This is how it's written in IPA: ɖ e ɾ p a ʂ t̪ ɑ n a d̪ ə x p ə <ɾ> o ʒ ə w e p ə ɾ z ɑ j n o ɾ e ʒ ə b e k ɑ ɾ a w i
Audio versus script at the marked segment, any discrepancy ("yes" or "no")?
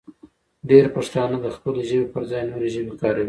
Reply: yes